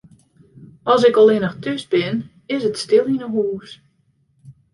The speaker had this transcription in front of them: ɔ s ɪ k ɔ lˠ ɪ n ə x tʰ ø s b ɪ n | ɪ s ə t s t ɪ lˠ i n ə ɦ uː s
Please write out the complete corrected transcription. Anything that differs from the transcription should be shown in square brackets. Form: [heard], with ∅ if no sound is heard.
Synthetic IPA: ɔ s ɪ k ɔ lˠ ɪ n ə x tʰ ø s b ɪ n | ɪ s ə t s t ɪ lˠ i n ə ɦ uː s

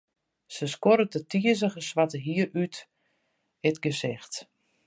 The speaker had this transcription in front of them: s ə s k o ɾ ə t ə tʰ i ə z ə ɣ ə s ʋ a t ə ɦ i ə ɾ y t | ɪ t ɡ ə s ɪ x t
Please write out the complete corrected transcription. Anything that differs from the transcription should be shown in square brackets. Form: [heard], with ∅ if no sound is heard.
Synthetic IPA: s ə s k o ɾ ə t ə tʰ i ə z ə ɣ ə s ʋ a t ə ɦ i ə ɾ y t | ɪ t ɡ ə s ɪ x t

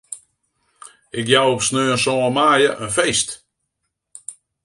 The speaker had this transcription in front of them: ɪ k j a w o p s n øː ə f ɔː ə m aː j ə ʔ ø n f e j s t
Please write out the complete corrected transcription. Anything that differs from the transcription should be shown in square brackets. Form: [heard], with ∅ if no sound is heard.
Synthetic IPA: ɪ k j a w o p s n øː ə [s] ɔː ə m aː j ə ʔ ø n f e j s t

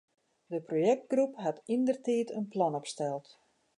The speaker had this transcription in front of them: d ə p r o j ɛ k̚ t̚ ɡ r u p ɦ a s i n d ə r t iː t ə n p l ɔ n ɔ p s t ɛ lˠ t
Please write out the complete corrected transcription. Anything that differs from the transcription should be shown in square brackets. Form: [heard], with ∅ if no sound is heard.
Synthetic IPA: d ə p r o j ɛ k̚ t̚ ɡ r u p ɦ a [t] i n d ə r t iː t ə n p l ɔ n ɔ p s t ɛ lˠ t

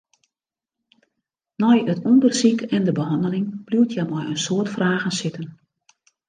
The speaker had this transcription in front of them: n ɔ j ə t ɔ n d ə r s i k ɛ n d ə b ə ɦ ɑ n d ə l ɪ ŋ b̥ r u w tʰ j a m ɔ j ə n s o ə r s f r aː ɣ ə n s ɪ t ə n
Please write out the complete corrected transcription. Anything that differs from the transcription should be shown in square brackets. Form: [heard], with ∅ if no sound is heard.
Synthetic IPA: n ɔ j ə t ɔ n d ə r s i k ɛ n d ə b ə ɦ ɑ n d ə l ɪ ŋ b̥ [l] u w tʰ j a m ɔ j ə n s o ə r [t] f r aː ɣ ə n s ɪ t ə n

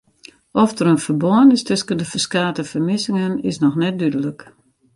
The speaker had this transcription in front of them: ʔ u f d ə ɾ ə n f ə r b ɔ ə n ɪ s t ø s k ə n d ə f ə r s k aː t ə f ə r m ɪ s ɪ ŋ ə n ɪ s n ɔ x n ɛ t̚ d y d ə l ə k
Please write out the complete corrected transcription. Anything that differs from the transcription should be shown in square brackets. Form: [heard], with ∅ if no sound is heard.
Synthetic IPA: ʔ [ɔ] f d ə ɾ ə n f ə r b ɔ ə n ɪ s t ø s k ə n d ə f ə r s k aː t ə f ə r m ɪ s ɪ ŋ ə n ɪ s n ɔ x n ɛ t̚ d y d ə l ə k

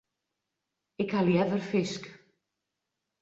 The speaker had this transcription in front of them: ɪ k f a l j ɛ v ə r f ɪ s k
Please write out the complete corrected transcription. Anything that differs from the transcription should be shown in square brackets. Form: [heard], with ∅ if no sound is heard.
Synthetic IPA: ɪ k [h] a l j ɛ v ə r f ɪ s k

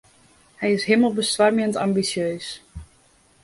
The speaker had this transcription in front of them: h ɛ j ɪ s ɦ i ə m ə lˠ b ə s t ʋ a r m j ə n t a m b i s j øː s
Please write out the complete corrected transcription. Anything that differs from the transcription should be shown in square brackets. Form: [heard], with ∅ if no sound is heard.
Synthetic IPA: h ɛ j ɪ s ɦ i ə m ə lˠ b ə s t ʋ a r m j ə n t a m b i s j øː s

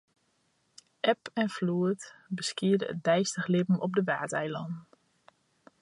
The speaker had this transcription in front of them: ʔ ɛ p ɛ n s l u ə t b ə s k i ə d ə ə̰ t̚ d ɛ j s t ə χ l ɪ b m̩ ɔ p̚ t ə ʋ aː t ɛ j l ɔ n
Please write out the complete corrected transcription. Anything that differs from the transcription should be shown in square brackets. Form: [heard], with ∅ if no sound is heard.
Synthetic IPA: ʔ ɛ p ɛ n [f] l u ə t b ə s k i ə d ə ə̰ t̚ d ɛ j s t ə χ l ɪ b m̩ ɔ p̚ [d] ə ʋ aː t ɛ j l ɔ n

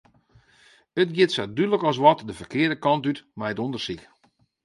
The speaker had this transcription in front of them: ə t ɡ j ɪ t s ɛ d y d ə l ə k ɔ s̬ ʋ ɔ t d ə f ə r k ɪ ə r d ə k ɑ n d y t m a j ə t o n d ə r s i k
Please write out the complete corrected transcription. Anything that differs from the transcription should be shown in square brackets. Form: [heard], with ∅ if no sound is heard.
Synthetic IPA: ə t ɡ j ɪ t s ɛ d y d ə l ə k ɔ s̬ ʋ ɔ t d ə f ə r k ɪ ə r d ə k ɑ n [t] y t m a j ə t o n d ə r s i k

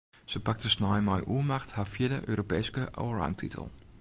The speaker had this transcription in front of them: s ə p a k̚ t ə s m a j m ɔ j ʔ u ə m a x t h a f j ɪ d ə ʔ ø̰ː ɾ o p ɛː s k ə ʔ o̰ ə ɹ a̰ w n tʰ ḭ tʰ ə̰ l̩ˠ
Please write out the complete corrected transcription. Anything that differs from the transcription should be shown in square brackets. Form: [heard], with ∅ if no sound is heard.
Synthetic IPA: s ə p a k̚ t ə s [n] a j m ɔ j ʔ u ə m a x t h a f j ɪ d ə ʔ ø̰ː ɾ o p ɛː s k ə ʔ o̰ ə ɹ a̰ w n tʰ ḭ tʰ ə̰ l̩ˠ

